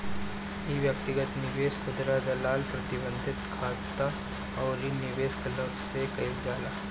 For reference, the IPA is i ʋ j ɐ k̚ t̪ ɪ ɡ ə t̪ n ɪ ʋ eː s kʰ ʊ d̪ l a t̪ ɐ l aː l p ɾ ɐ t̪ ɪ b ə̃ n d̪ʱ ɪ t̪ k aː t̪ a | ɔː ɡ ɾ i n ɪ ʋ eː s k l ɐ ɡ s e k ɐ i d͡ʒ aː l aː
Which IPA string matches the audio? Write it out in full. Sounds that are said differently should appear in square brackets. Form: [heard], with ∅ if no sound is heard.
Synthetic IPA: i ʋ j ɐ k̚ t̪ ɪ ɡ ə t̪ n ɪ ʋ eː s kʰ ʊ d̪ [ɾ] a [d̪] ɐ l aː l p ɾ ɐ t̪ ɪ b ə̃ n d̪ʱ ɪ t̪ [kʰ] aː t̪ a | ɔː [∅] ɾ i n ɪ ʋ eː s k l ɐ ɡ s e k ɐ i d͡ʒ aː l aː